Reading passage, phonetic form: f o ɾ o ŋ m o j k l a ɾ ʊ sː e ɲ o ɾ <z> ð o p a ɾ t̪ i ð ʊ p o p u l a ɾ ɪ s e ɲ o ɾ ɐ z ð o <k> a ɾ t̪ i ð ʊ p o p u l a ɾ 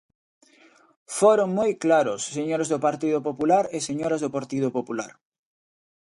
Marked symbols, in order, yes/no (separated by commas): yes, no